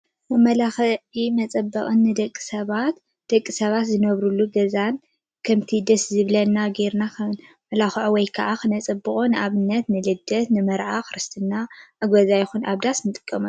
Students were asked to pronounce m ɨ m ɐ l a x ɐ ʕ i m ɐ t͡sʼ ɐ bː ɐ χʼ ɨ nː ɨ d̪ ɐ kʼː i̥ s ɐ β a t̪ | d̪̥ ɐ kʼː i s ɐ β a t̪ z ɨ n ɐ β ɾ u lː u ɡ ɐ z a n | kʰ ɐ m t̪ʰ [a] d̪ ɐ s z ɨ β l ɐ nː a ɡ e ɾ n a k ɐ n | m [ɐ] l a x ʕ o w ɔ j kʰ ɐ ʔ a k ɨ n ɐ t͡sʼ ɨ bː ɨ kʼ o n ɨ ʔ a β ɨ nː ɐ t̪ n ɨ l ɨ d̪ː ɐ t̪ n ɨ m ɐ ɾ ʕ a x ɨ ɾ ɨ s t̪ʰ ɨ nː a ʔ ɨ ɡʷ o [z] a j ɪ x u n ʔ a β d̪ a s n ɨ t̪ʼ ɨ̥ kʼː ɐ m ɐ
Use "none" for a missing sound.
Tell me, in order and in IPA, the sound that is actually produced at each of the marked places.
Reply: i, ɐ, z

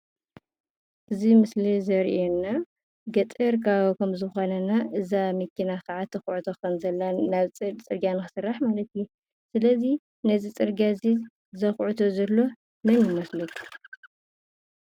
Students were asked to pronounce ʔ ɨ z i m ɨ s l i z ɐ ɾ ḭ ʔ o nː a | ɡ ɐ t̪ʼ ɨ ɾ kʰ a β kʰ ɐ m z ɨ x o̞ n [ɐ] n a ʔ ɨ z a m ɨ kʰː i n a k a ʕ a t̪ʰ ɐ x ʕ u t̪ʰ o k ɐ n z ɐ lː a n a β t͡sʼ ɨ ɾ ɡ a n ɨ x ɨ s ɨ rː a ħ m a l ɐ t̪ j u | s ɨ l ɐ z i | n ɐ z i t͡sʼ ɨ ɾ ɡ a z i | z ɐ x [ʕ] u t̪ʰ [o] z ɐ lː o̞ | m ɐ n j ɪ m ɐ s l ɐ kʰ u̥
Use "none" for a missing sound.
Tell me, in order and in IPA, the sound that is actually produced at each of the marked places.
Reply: ɐ, ʕ, o

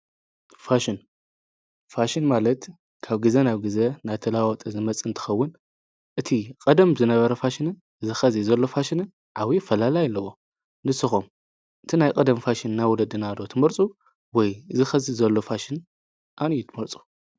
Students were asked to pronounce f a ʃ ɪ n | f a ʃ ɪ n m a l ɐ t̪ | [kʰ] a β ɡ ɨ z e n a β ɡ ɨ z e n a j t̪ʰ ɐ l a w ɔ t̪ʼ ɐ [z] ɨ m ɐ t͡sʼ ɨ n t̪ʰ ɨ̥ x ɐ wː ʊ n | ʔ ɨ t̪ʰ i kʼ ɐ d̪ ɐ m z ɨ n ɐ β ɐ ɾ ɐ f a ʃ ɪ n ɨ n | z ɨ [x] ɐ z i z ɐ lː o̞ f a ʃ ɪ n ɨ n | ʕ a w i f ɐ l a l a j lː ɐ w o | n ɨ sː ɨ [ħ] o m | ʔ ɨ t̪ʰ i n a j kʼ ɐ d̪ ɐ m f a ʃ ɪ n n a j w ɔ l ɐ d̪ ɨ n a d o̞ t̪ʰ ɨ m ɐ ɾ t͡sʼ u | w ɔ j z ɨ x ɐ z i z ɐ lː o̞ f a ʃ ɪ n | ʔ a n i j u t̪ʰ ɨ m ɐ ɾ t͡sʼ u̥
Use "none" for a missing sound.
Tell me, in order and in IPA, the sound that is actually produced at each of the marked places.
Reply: kʰ, z, x, x

